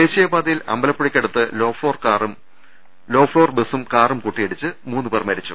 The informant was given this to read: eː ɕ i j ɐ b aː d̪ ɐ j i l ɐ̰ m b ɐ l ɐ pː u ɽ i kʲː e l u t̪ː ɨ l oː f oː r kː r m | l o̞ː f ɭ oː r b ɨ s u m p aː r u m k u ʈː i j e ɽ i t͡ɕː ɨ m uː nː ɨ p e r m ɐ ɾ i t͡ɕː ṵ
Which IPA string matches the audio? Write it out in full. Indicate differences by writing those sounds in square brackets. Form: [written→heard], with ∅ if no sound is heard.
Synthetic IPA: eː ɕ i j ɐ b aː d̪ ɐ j i l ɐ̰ m b ɐ l ɐ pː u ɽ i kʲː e [l→ɽ] u t̪ː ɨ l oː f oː r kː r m | l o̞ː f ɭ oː r b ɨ s u m [p→k] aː r u m k u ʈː i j e ɽ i t͡ɕː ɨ m uː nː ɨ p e r m ɐ ɾ i t͡ɕː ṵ